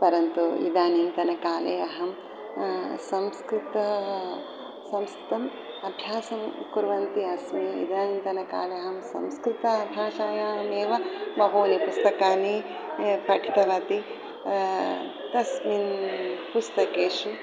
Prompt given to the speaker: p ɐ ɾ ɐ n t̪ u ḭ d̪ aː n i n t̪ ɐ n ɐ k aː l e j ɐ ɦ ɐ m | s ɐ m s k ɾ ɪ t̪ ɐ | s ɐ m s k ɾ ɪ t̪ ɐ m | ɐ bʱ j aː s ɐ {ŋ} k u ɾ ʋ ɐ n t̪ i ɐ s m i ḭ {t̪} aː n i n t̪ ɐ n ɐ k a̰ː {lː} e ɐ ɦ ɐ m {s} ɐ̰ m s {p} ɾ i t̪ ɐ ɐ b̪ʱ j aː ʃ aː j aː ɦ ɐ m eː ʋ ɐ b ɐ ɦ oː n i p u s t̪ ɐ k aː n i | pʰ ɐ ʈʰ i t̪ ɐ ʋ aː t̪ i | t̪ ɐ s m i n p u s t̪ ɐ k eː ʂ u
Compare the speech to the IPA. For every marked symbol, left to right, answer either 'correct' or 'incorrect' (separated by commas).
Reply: incorrect, incorrect, incorrect, correct, incorrect